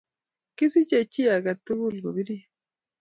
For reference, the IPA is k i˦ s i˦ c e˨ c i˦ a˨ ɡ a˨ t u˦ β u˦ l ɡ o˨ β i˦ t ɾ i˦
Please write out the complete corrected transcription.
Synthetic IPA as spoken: k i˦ s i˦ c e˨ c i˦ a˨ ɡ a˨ t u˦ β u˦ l ɡ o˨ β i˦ ɾ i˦